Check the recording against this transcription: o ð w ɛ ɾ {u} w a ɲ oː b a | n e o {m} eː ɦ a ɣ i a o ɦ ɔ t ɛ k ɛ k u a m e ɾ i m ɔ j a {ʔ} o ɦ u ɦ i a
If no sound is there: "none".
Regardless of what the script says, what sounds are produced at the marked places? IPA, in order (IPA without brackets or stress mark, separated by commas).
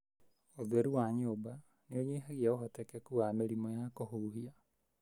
u, ɲ, k